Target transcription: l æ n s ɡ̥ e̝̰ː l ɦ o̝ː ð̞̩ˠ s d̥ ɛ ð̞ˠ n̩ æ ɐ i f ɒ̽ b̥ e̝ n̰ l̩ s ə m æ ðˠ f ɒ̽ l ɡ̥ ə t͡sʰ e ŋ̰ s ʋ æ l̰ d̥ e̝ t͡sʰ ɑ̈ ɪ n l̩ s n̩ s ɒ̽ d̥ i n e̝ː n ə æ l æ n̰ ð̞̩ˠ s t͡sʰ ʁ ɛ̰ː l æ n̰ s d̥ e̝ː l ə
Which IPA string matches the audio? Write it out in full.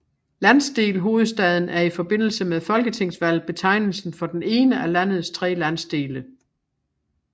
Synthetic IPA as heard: l æ n s d̥ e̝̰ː l ɦ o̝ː ð̞̩ˠ s d̥ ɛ ð̞ˠ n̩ æ ɐ i f ɒ̽ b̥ e̝ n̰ l̩ s ə m e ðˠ f ɒ̽ l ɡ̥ ə t͡sʰ e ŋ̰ s ʋ æ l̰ b̥ e̝ t͡sʰ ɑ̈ ɪ n l̩ s n̩ f ɒ̽ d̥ e n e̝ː n ə æ l æ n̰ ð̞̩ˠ s t͡sʰ ʁ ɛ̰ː l æ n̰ s d̥ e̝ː l ə